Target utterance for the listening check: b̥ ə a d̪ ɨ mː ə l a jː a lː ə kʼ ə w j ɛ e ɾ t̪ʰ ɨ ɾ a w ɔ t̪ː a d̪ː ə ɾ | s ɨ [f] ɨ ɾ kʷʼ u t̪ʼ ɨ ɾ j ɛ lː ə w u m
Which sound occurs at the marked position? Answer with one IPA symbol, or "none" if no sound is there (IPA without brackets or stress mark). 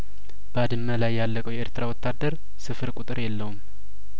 f